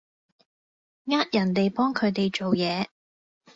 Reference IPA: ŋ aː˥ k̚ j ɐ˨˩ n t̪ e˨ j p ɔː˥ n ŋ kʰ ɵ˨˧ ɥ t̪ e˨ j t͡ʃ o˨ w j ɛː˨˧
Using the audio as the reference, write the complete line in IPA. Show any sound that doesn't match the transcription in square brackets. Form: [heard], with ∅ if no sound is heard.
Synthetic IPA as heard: ŋ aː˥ [t̚] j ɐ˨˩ n t̪ e˨ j p ɔː˥ [∅] ŋ kʰ ɵ˨˧ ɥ t̪ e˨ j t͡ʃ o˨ w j ɛː˨˧